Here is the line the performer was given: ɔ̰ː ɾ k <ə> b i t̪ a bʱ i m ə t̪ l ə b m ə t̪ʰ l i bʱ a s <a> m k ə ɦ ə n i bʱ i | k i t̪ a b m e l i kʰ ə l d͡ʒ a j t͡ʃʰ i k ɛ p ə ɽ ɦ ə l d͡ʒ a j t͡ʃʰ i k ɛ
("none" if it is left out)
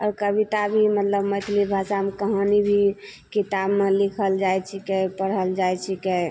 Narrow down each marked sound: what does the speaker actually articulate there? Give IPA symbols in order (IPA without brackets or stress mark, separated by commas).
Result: ə, a